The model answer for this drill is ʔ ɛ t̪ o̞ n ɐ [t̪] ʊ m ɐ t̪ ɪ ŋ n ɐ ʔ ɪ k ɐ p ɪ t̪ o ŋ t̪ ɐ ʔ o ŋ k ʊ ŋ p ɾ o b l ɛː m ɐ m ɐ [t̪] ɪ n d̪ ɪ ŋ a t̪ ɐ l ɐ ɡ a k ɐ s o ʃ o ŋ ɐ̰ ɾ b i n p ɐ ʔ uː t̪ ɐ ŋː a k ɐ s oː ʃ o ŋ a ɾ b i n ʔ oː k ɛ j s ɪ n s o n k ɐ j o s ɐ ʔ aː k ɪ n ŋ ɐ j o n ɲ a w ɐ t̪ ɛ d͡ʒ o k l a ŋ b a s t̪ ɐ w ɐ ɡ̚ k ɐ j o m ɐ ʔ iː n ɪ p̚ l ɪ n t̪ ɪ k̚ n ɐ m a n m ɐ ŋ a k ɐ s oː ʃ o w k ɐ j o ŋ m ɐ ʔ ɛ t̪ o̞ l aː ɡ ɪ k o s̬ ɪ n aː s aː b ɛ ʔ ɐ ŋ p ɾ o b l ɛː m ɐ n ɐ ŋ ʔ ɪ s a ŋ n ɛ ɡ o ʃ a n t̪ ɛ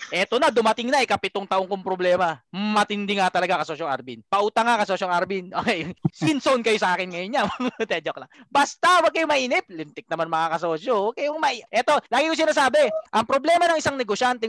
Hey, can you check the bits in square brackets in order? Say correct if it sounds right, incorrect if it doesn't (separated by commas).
incorrect, correct